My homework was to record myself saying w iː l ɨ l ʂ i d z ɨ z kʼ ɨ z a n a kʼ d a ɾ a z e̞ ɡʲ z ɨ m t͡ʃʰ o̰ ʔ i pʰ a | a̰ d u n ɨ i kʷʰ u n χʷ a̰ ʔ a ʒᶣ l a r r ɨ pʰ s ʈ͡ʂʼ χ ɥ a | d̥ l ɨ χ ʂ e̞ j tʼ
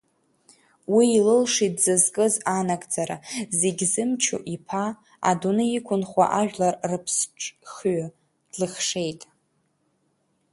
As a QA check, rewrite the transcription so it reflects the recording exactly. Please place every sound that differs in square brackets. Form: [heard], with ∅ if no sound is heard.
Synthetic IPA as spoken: w iː l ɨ l ʂ i d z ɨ z kʼ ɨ z a n a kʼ [d͡z] a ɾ a z e̞ ɡʲ z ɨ m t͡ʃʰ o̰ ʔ i pʰ a | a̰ d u n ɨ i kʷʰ [ʊ] n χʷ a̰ ʔ a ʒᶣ l a r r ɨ pʰ s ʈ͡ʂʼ χ ɥ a | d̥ l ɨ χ ʂ e̞ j tʼ